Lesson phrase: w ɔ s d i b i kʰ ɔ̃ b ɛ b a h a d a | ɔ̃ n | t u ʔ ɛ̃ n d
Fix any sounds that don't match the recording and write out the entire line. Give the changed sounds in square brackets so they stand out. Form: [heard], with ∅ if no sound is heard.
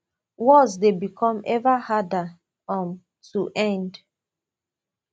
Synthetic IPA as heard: w ɔ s d [e] b i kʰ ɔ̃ [m] ɛ [v] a h a d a | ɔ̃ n | t u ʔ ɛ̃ n d